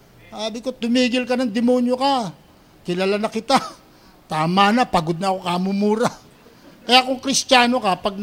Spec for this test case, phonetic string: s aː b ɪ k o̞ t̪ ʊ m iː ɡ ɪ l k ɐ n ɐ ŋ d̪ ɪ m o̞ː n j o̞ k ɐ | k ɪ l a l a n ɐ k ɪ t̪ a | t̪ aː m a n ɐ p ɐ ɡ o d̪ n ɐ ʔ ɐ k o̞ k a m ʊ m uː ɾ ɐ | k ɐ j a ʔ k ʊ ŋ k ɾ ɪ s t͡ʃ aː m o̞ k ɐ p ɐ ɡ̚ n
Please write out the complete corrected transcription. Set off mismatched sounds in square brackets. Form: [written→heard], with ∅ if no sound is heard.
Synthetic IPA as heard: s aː b ɪ k o̞ t̪ ʊ m iː ɡ ɪ l k ɐ n ɐ ŋ d̪ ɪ m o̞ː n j o̞ k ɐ | k ɪ l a l a n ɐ k ɪ t̪ a | t̪ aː m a n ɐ p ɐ ɡ o d̪ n ɐ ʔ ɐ k o̞ k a m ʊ m uː ɾ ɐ | k ɐ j a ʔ k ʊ ŋ k ɾ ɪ s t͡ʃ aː [m→n] o̞ k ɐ p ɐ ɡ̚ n